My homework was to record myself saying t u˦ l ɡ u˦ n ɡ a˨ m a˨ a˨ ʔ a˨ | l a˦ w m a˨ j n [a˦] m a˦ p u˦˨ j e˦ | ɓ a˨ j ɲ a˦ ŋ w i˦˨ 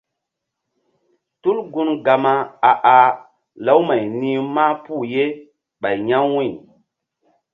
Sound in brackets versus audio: incorrect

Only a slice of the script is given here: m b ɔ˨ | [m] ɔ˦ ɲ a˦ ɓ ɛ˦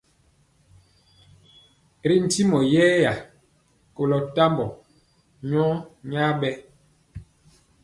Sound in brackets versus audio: incorrect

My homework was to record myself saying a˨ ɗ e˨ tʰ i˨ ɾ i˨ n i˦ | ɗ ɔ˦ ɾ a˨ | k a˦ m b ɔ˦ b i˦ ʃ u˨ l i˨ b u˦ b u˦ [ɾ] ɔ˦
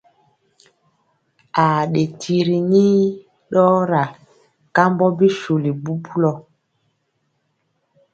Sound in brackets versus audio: incorrect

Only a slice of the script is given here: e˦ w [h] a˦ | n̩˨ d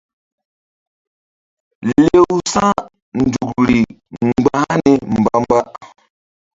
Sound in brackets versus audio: incorrect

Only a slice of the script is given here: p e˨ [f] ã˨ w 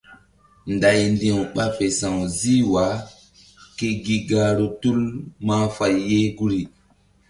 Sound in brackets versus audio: incorrect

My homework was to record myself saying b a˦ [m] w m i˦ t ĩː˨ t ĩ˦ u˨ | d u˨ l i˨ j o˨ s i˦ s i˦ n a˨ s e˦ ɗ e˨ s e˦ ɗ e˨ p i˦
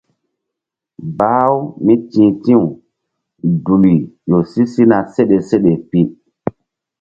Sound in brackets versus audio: incorrect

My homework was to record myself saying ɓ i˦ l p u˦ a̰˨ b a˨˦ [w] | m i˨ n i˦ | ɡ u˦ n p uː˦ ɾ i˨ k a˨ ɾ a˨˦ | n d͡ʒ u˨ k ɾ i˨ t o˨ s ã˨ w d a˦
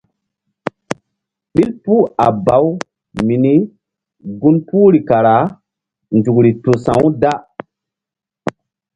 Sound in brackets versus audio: correct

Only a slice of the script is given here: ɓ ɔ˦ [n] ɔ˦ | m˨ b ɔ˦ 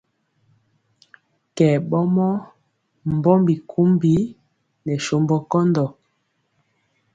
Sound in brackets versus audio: incorrect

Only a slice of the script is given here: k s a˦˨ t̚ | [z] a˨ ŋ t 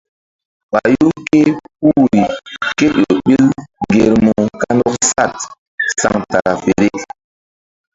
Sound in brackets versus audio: incorrect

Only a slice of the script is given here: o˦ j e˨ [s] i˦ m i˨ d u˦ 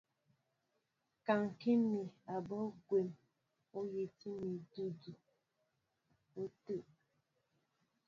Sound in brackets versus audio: incorrect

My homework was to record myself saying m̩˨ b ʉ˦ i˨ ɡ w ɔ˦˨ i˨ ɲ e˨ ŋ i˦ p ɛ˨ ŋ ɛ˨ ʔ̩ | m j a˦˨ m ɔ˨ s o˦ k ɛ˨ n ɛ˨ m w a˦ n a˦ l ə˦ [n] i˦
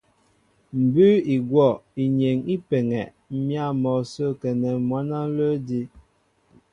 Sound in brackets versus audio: incorrect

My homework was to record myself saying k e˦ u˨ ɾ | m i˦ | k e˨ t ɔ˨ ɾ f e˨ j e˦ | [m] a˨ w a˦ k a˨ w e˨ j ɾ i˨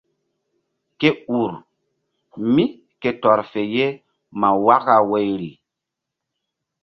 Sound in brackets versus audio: correct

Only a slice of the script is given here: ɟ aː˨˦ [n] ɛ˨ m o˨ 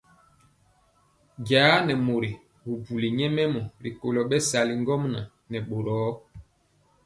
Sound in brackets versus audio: correct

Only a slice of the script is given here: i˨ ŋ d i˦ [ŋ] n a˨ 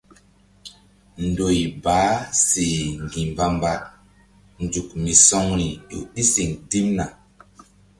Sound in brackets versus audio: incorrect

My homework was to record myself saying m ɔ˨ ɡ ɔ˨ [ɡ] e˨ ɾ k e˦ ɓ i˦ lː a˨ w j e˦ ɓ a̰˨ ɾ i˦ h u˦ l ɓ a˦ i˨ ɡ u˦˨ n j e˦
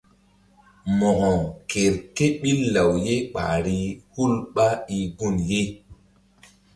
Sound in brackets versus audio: incorrect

